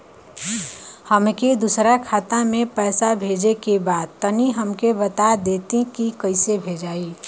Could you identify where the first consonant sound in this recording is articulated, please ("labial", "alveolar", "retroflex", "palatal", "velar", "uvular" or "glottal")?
glottal